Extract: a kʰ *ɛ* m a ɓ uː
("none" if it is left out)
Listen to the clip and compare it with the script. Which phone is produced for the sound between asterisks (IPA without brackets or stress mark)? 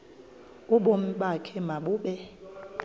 ɛ